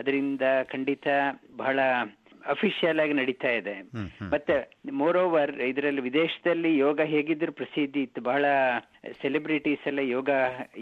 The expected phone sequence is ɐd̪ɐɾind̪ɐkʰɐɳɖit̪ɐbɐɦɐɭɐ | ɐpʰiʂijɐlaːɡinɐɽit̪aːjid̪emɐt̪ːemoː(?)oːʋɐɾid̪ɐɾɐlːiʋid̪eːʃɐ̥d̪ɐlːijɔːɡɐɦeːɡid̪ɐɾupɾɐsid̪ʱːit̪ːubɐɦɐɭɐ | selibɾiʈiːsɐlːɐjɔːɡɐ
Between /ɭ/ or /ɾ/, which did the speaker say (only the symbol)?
ɾ